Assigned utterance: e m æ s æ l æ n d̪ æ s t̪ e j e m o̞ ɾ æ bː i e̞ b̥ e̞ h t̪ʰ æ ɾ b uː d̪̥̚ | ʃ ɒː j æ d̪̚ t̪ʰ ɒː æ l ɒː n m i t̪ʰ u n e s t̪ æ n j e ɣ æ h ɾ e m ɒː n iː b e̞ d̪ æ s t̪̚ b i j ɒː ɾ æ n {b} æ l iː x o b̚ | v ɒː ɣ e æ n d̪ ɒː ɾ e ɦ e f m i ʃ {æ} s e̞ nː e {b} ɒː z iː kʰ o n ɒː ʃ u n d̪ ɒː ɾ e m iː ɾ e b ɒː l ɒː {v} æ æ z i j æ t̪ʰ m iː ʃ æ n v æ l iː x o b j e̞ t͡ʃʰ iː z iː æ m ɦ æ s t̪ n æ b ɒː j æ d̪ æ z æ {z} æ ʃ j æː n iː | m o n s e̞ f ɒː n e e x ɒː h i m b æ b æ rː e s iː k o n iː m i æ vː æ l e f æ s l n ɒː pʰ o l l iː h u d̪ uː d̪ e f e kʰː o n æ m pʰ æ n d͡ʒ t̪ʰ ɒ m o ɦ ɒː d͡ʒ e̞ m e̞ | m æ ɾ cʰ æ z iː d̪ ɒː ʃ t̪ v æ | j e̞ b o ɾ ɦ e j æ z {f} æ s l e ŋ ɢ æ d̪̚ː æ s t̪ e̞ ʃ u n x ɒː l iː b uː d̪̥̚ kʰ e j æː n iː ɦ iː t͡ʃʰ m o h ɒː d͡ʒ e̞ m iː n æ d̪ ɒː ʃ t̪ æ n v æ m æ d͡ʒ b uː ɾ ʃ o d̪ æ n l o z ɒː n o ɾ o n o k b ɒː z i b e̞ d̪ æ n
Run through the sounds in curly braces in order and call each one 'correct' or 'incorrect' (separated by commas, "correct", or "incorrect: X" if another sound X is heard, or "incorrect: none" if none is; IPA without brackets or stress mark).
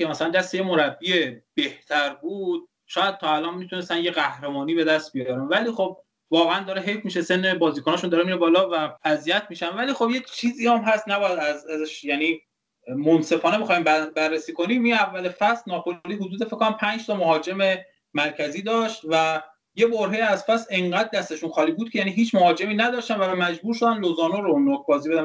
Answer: incorrect: v, incorrect: e, correct, correct, correct, correct